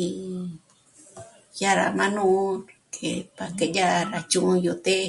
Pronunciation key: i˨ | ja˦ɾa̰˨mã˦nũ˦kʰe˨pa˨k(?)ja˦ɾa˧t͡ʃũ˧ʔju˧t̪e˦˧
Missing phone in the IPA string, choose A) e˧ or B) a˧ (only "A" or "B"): A